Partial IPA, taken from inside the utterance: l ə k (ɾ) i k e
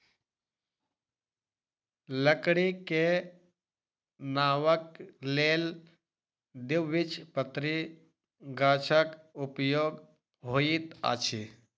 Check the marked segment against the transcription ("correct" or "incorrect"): incorrect